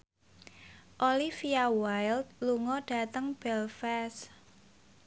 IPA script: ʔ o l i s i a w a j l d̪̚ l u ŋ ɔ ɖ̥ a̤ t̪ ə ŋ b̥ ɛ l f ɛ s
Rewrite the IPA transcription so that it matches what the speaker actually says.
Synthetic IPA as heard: ʔ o l i f i a w a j l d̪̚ l u ŋ ɔ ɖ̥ a̤ t̪ ə ŋ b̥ ɛ l f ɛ s

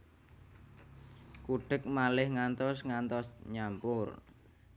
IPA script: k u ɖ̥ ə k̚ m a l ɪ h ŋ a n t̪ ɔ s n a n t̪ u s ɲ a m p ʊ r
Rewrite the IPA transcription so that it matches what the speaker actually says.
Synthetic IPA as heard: k u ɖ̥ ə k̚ m a l ɪ h ŋ a n t̪ ɔ s ŋ a n t̪ ɔ s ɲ a m p ʊ r

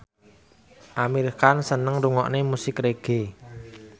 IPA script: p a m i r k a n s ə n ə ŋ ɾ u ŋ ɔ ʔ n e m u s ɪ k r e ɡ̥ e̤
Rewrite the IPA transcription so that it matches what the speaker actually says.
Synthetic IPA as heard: ʔ a m i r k a n s ə n ə ŋ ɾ u ŋ ɔ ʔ n e m u s ɪ k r e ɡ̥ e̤

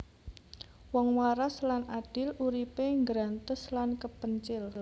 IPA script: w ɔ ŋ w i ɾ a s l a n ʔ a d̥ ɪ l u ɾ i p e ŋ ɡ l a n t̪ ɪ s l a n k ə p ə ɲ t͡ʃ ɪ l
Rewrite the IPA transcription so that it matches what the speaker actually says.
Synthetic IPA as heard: w ɔ ŋ w a ɾ a s l a n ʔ a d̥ ɪ l u ɾ i p e ŋ ɡ ɾ a n t̪ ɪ s l a n k ə p ə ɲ t͡ʃ ɪ l

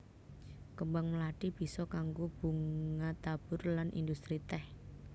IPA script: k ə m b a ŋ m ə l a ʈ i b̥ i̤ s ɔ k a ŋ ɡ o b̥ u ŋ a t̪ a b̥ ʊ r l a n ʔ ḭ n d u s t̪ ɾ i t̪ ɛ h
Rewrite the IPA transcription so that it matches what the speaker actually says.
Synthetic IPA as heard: k ə m b a ŋ m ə l a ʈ i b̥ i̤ s ɔ k a ŋ ɡ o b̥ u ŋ a t̪ a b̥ ʊ r l a n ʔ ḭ n d u s t̪ ɾ i t̪ ɛ h

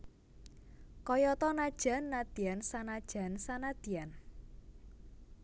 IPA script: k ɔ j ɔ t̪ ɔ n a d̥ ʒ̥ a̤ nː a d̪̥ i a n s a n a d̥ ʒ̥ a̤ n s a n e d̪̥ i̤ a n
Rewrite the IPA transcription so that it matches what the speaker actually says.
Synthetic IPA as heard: k ɔ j ɔ t̪ ɔ n a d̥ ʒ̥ a̤ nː a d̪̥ i a n s a n a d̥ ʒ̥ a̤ n s a n a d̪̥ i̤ a n

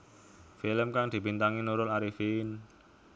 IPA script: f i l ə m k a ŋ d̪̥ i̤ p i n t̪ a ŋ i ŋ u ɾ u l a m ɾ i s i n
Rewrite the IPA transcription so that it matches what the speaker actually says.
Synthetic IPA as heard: f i l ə m k a ŋ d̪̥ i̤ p i n t̪ a ŋ i n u ɾ ʊ l a ɾ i f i n

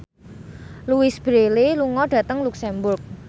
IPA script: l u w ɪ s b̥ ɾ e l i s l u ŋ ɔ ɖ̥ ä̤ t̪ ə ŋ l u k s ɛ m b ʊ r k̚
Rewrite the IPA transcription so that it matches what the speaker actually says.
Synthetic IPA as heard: l u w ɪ s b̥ ɾ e l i l u ŋ ɔ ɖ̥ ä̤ t̪ ə ŋ l u k s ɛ m b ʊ r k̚

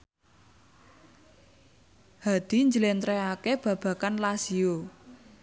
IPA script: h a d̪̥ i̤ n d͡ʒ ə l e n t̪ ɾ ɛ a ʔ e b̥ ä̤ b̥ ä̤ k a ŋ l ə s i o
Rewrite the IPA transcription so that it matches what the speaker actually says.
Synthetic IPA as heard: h a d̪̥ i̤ ɲ d͡ʒ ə l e n t̪ ɾ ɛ a k e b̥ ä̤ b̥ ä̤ k a n l a s i o

